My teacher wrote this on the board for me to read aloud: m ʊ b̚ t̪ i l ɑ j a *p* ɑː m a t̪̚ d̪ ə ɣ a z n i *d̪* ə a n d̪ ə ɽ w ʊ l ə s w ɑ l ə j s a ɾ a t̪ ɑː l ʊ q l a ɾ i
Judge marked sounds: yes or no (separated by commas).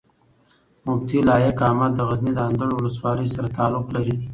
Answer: no, yes